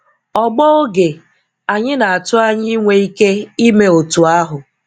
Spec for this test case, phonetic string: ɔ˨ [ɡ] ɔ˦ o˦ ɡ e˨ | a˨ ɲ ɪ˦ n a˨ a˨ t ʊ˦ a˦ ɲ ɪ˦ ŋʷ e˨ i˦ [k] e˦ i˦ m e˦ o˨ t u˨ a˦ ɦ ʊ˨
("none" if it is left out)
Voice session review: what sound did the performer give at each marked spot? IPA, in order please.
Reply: ɡ͡b, k

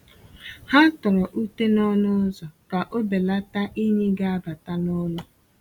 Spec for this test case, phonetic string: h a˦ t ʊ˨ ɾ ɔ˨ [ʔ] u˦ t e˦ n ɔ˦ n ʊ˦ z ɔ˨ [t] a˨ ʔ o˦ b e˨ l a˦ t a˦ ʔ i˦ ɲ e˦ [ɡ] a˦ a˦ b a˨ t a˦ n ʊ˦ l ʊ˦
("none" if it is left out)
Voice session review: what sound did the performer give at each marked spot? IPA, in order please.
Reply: ʔ, k, ɡ

